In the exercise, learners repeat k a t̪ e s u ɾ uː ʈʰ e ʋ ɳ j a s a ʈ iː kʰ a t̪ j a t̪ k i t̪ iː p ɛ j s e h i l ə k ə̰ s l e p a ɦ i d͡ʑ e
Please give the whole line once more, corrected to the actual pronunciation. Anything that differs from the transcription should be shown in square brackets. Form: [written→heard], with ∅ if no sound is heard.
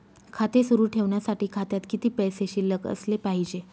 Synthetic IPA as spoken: [k→kʰ] a t̪ e s u ɾ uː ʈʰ e ʋ ɳ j a s a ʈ iː kʰ a t̪ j a t̪ k i t̪ iː p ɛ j s e [h→ɕ] i l ə k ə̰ s l e p a ɦ i d͡ʑ e